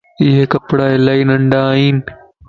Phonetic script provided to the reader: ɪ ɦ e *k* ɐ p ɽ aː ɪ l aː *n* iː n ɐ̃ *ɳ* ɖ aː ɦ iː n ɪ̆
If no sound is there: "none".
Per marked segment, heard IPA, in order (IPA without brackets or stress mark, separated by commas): k, none, ɳ